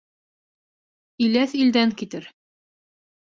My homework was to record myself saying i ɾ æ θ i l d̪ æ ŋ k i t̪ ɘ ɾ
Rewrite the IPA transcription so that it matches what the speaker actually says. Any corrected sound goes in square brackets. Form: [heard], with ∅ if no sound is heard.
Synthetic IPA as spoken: i [l] æ θ i l d̪ æ ŋ k i t̪ ɘ ɾ